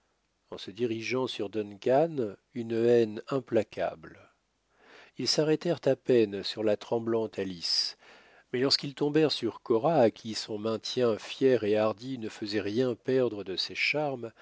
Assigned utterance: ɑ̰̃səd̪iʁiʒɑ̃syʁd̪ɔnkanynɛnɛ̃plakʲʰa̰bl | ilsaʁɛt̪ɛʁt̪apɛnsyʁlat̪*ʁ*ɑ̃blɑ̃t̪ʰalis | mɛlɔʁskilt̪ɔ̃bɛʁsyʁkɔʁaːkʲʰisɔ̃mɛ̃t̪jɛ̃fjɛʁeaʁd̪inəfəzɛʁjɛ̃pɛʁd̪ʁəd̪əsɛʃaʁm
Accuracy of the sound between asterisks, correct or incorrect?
incorrect: χ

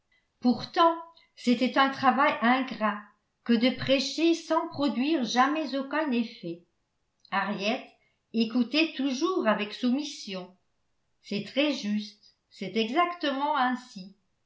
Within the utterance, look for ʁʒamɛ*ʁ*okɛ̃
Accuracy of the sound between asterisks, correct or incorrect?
incorrect: z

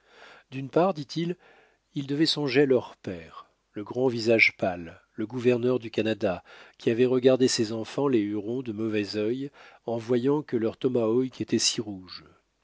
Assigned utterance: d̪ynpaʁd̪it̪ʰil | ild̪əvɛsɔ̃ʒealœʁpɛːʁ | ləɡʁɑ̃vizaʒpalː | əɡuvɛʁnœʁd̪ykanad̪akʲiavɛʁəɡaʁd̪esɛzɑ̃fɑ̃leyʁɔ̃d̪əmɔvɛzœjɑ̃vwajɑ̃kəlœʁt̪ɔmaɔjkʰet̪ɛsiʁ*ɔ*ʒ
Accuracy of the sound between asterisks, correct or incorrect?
incorrect: u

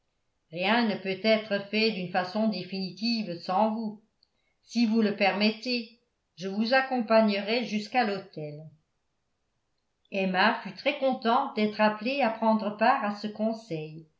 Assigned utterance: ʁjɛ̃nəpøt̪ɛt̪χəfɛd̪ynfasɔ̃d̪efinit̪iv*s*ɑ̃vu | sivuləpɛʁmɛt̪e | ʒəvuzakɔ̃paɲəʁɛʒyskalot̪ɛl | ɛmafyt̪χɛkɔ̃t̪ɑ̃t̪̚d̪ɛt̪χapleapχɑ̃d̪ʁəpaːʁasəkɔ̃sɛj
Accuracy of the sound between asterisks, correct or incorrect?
correct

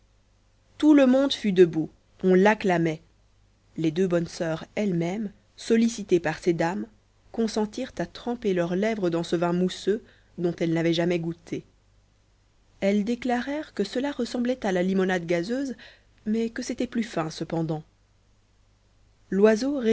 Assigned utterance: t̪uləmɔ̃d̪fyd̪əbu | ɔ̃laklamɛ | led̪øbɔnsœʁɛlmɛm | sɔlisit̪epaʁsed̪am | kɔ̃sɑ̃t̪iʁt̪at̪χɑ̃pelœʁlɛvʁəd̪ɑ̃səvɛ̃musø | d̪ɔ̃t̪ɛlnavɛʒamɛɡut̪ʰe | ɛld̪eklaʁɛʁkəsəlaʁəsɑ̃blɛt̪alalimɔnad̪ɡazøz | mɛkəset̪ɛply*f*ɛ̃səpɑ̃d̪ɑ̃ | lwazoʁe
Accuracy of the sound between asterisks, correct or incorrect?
correct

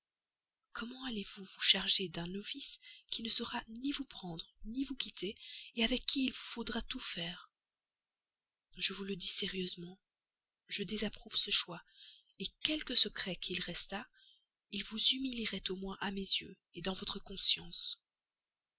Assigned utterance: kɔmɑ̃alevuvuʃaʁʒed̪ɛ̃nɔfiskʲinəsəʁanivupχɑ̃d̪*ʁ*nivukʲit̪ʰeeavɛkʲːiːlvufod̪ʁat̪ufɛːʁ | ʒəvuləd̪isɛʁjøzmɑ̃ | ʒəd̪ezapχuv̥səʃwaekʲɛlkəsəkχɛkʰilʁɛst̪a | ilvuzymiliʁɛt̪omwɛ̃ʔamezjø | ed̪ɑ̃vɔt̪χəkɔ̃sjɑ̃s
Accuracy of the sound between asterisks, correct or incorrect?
correct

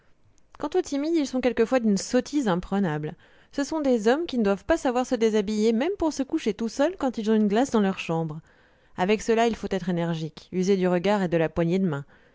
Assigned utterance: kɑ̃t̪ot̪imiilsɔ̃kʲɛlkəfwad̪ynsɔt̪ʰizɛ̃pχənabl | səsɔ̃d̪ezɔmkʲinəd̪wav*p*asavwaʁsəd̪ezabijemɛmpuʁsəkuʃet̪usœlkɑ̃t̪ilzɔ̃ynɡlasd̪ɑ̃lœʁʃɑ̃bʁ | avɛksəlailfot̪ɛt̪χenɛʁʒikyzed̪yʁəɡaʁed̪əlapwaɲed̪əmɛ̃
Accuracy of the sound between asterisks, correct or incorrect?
correct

